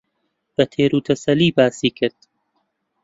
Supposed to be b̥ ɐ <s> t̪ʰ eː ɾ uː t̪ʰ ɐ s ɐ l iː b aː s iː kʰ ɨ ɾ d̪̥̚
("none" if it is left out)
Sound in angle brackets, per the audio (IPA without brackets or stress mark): none